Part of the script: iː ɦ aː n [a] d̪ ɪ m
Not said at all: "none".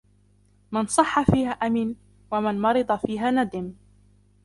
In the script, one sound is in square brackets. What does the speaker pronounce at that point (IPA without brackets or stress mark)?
a